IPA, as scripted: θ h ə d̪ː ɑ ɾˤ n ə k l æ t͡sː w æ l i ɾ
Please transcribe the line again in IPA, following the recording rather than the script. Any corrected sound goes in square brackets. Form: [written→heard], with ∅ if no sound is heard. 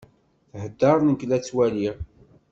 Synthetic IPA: θ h ə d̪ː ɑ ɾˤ n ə k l æ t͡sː w æ l i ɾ